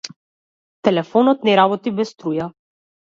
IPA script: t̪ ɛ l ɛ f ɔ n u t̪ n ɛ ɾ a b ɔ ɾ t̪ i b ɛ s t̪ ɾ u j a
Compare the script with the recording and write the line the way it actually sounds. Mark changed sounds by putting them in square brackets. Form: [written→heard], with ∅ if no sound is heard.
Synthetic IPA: t̪ ɛ l ɛ f ɔ n [u→ɔ] t̪ n ɛ ɾ a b ɔ [ɾ→∅] t̪ i b ɛ s t̪ ɾ u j a